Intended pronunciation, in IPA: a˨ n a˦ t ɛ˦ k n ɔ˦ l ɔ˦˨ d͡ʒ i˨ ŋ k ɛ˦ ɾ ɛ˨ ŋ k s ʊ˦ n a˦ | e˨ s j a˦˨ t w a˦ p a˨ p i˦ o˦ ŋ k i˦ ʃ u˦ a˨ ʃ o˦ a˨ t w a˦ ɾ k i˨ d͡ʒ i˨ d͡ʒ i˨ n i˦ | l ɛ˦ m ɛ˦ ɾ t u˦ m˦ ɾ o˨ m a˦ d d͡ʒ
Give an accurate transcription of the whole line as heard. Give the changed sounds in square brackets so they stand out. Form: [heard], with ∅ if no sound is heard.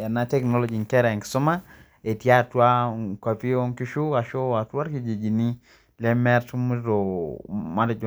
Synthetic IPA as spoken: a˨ n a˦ t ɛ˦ k n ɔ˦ l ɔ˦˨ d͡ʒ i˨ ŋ k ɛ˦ ɾ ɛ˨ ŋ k s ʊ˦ [m] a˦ | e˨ [t] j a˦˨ t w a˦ [k] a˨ p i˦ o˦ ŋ k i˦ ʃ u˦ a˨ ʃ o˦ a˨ t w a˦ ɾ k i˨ d͡ʒ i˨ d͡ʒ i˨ n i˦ | l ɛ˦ m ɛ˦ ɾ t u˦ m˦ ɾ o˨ m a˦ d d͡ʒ